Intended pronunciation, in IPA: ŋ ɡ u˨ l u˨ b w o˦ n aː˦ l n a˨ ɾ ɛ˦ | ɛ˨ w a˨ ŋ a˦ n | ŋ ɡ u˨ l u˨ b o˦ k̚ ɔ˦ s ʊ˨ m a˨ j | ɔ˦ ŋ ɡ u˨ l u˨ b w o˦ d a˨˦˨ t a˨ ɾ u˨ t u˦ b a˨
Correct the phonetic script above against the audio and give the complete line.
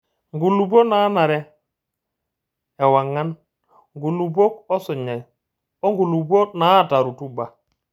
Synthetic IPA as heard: ŋ ɡ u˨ l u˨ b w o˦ n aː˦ n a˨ ɾ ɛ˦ | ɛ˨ w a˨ ŋ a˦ n | ŋ ɡ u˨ l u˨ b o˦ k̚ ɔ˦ s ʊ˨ ɲ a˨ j | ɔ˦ ŋ ɡ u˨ l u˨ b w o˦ n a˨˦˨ t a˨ ɾ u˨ t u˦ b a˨